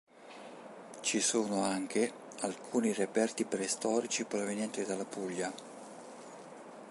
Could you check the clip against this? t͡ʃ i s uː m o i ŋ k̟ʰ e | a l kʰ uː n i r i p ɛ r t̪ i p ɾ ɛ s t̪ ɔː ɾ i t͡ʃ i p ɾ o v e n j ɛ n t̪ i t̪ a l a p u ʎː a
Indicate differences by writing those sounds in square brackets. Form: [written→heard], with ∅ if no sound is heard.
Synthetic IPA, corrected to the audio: t͡ʃ i s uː [m→n] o [i→a] ŋ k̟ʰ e | a l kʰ uː n i r [i→e] p ɛ r t̪ i p ɾ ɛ s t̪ ɔː ɾ i t͡ʃ i p ɾ o v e n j ɛ n t̪ i [t̪→d̪] a l a p u ʎː a